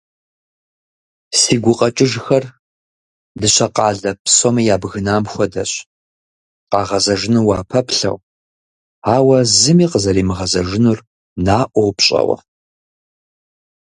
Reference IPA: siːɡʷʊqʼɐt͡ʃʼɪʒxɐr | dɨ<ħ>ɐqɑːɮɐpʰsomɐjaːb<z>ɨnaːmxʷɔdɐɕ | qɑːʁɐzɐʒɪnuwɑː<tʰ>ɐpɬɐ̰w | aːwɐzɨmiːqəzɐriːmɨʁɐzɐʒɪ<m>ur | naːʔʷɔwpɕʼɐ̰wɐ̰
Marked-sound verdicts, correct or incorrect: incorrect, incorrect, incorrect, incorrect

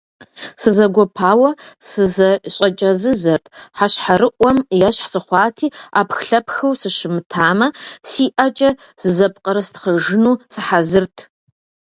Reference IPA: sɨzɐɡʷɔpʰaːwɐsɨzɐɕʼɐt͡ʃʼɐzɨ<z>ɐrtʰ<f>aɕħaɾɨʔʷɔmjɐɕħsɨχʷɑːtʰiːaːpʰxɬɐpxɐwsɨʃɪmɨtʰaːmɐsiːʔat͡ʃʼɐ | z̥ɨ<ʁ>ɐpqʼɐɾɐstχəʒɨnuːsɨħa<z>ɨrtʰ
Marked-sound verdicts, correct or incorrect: correct, incorrect, incorrect, correct

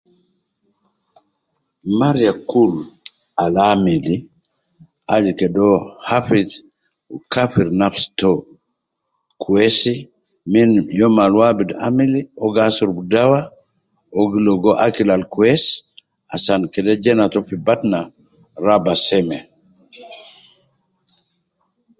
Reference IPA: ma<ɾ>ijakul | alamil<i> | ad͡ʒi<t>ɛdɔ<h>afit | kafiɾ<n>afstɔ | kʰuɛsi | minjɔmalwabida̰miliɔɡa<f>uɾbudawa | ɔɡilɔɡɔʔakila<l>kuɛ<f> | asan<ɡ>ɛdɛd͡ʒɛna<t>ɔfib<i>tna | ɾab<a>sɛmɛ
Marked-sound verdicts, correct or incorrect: correct, correct, incorrect, correct, correct, incorrect, correct, incorrect, incorrect, correct, incorrect, correct

